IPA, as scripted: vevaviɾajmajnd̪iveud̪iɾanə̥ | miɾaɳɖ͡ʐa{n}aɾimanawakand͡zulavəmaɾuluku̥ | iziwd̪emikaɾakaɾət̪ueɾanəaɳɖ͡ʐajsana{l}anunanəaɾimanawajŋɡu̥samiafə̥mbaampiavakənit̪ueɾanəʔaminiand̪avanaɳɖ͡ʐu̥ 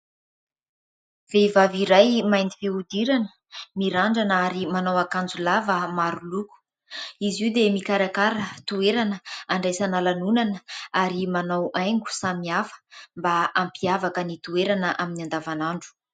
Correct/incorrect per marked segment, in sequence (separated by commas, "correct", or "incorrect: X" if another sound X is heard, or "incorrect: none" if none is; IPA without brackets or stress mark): correct, correct